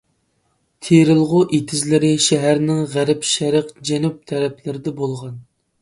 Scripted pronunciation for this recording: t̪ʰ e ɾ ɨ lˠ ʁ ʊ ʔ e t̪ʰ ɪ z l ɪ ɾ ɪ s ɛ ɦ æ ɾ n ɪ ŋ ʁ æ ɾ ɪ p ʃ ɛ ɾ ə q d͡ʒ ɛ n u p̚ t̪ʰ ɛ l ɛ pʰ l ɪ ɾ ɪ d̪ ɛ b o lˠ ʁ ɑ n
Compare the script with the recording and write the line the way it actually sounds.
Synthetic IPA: t̪ʰ e ɾ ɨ lˠ ʁ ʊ ʔ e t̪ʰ ɪ z l ɪ ɾ ɪ ʃ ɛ ɦ æ ɾ n ɪ ŋ ʁ æ ɾ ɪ p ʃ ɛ ɾ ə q d͡ʒ ɛ n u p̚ t̪ʰ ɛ ɾ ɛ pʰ l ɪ ɾ ɪ d̪ ɛ b o lˠ ʁ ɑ n